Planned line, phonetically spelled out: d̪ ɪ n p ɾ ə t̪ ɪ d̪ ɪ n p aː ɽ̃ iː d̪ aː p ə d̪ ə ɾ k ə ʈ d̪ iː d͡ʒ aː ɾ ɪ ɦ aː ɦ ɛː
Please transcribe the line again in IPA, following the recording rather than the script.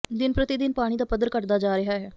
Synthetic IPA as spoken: d̪ ɪ n p ɾ ə t̪ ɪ d̪ ɪ n p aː ɽ̃ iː d̪ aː p ə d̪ ə ɾ k ə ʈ d̪ aː d͡ʒ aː ɾ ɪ ɦ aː ɦ ɛː